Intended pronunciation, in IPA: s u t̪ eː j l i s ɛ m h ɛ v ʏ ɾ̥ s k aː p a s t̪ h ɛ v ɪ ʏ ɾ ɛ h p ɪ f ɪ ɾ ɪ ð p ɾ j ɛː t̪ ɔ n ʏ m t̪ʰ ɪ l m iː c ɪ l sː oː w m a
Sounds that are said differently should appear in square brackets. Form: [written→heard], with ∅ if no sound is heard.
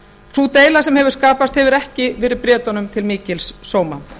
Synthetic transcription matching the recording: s u t̪ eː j l [i→a] s ɛ m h ɛ v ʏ ɾ̥ s k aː p a s t̪ h ɛ v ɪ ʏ ɾ ɛ h [p→c] ɪ [f→v] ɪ ɾ ɪ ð p ɾ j ɛː t̪ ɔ n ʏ m t̪ʰ ɪ l m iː c ɪ l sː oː w m a